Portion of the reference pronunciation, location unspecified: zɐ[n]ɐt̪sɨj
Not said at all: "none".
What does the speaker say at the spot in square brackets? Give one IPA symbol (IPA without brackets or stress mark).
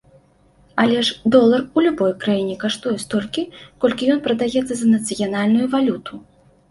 n